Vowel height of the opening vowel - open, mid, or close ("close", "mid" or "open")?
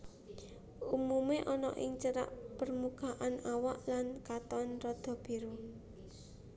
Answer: close